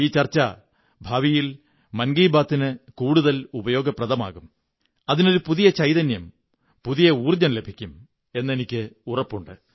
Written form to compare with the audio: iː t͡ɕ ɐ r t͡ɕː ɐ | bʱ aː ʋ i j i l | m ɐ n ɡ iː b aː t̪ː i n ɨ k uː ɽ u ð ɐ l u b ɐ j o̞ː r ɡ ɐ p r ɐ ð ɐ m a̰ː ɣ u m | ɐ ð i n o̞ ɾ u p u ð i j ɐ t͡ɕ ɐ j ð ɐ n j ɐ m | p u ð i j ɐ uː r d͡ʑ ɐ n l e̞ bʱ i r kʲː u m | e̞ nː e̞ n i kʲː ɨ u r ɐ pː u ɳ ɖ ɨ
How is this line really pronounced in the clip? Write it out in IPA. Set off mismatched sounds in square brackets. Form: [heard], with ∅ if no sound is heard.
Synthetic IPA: iː t͡ɕ ɐ r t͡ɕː ɐ | bʱ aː ʋ i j i l | m ɐ n ɡ iː b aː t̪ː i n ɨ k uː ɽ u ð ɐ l u b ɐ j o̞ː [∅] ɡ ɐ p r ɐ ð ɐ m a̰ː ɣ u m | ɐ ð i n o̞ ɾ u p u ð i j ɐ t͡ɕ ɐ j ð ɐ n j ɐ m | p u ð i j ɐ uː r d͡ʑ ɐ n l e̞ bʱ i [∅] kʲː u m | e̞ nː e̞ n i kʲː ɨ u r ɐ pː u ɳ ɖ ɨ